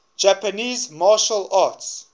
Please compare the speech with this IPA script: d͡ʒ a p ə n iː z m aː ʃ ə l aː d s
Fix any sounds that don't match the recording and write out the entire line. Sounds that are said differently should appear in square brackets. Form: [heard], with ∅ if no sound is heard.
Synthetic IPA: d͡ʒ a p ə n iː z m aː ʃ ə l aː [t] s